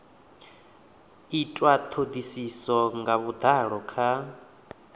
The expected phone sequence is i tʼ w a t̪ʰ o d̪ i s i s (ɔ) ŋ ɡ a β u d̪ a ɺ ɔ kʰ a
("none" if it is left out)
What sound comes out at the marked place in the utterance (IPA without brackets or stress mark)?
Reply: ɔ